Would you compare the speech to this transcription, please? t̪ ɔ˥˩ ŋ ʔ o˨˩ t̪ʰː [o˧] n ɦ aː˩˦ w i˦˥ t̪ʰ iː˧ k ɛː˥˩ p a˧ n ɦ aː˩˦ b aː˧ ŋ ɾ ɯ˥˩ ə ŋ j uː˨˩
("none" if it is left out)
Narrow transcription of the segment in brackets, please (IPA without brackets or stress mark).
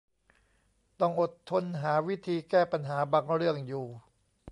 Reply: o˧